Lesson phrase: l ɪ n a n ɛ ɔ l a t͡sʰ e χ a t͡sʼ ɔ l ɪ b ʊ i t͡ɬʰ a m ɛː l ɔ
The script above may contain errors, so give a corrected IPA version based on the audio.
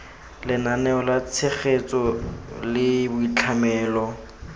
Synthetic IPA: l ɪ n a n ɛ ɔ l a t͡sʰ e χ e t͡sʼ ɔ l ɪ b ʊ i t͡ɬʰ a m ɛː l ɔ